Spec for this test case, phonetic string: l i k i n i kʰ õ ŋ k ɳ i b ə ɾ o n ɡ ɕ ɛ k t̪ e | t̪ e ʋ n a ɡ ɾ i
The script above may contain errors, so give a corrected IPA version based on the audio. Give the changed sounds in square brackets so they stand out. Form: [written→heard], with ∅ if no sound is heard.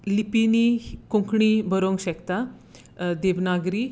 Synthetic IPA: l i [k→p] i n i [kʰ→k] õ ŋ k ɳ i b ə ɾ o [n→ŋ] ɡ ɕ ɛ k t̪ [e→a] | [t̪→d̪] e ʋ n a ɡ ɾ i